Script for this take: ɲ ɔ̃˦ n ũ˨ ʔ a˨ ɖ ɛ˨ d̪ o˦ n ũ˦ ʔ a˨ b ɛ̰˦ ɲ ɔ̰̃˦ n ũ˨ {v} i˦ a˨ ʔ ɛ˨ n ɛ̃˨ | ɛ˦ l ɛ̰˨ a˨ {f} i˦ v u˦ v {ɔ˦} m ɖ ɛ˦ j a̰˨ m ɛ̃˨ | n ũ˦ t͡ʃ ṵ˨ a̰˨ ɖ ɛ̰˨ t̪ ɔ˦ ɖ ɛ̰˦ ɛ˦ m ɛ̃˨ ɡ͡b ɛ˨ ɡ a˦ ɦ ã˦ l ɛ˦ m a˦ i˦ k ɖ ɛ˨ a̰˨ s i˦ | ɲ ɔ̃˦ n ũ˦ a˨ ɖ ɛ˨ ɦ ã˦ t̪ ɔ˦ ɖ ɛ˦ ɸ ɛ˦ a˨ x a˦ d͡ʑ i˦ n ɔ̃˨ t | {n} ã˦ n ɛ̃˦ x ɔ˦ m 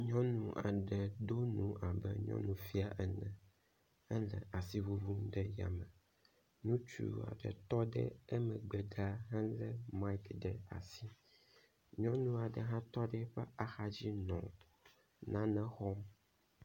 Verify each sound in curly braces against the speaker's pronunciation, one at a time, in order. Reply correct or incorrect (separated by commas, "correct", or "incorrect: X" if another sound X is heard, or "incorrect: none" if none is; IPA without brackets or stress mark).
incorrect: f, incorrect: s, incorrect: u˦, correct